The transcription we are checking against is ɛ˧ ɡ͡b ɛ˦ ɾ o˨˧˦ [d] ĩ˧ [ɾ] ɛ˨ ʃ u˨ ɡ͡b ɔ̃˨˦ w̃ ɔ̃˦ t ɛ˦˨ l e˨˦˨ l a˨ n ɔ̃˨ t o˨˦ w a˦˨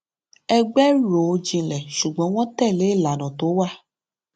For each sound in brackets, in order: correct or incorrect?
incorrect: d͡ʒ, incorrect: l

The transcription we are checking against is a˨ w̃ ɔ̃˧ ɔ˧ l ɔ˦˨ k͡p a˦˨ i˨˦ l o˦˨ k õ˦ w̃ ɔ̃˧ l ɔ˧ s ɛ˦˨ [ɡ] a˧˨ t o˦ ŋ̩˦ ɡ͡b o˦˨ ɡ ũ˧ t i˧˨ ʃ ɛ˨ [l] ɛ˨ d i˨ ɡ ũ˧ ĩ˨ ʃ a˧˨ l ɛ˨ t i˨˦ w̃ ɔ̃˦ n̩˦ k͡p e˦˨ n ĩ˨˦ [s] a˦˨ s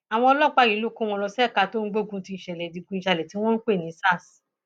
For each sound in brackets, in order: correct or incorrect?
incorrect: k, correct, correct

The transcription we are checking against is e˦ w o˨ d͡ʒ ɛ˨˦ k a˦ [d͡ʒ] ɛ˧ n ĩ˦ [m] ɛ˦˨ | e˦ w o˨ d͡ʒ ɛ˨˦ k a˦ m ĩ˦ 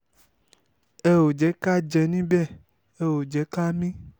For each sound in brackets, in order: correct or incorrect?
correct, incorrect: b

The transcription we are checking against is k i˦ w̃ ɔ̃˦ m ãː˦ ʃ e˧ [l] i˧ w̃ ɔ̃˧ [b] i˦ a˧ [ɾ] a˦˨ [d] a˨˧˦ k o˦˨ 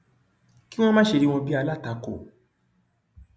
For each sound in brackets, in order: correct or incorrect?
incorrect: ɾ, correct, incorrect: l, incorrect: t

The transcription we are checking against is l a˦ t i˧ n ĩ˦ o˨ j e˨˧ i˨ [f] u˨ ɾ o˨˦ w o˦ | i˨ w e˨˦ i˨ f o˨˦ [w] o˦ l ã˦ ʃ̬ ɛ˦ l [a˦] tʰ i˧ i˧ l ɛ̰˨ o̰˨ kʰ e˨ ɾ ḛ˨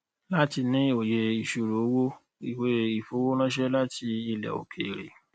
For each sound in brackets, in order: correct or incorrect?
incorrect: ʃ, correct, correct

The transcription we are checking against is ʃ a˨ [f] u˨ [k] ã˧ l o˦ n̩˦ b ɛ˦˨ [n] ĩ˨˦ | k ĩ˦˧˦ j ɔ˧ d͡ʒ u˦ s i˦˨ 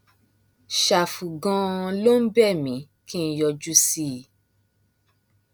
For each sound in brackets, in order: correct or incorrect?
correct, incorrect: ɡ, incorrect: m

